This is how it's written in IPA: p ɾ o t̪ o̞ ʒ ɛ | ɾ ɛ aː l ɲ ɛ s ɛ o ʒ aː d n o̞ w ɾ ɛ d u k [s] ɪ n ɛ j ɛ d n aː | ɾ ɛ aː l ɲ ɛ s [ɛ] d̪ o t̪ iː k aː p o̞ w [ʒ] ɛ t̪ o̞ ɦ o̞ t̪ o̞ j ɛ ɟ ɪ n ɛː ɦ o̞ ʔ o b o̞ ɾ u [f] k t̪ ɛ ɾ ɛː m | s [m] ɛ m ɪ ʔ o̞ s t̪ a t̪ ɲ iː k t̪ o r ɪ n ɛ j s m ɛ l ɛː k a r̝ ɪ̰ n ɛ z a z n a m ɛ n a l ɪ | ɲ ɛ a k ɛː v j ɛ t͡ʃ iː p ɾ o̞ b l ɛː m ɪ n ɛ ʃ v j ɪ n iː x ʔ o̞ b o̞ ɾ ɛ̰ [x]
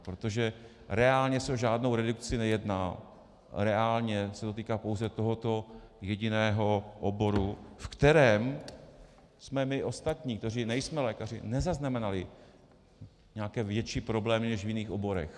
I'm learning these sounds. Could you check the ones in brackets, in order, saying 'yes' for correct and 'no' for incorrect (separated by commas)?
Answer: no, yes, no, yes, yes, yes